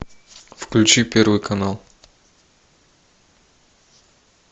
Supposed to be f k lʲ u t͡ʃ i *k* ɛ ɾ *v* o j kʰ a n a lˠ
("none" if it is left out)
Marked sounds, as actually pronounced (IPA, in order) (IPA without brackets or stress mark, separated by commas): p, v